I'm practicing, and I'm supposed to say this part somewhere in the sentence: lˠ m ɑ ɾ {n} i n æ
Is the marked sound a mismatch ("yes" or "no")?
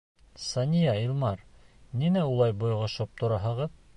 no